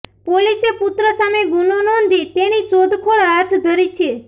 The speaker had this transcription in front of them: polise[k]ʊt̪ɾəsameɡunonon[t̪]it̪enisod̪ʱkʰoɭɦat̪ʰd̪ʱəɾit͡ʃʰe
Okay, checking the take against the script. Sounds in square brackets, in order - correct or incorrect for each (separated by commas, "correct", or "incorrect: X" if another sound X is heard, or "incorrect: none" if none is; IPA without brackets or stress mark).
incorrect: p, incorrect: d̪